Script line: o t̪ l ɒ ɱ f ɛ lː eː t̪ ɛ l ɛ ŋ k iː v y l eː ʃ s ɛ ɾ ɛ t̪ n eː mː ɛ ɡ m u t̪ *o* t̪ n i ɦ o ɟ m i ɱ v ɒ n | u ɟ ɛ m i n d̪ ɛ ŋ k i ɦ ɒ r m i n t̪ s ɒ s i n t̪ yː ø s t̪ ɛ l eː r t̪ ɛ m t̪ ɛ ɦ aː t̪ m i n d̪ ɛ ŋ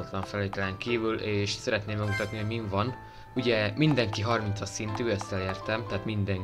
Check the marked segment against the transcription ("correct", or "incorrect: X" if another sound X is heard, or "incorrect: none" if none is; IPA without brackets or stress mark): incorrect: ɒ